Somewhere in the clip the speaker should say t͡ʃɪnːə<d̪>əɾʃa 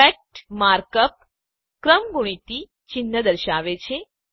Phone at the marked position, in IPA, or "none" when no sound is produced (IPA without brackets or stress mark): d̪